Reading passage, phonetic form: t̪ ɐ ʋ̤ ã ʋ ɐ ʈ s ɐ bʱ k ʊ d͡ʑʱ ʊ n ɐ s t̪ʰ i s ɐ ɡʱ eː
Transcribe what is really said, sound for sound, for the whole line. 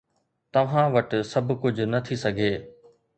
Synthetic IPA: t̪ ɐ ʋ̤ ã ʋ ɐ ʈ s ɐ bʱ k ʊ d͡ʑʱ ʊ n ɐ t̪ʰ i s ɐ ɡʱ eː